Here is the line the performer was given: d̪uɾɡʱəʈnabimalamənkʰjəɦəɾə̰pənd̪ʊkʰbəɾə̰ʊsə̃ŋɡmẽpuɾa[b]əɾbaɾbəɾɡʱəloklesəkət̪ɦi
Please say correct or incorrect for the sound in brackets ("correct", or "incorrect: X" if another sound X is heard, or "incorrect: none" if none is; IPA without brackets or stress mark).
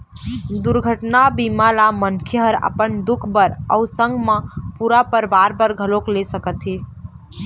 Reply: incorrect: p